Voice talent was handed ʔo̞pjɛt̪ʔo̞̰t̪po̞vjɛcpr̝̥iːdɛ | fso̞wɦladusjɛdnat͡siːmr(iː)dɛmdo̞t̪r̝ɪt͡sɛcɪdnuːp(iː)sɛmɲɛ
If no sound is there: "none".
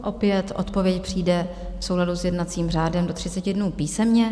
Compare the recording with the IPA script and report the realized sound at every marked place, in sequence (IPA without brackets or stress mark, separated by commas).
aː, iː